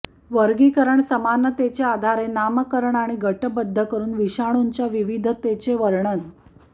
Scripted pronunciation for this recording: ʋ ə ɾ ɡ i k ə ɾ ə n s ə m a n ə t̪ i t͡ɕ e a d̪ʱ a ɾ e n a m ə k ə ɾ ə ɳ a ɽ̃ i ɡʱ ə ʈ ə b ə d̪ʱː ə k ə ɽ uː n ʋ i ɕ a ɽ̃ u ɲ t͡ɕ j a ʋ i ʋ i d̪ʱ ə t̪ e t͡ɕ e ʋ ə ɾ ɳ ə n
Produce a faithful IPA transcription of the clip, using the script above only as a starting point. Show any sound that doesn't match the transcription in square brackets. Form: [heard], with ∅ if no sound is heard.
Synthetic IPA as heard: ʋ ə ɾ ɡ i k ə ɾ ə [ɳ] s ə m a n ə t̪ [e] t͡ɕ e a d̪ʱ a ɾ e n a m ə k ə ɾ ə ɳ a ɽ̃ i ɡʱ ə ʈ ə b ə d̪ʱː ə k ə [ɾ] uː n ʋ i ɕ a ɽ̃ u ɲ t͡ɕ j a ʋ i ʋ i d̪ʱ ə t̪ e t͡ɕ e ʋ ə ɾ ɳ ə n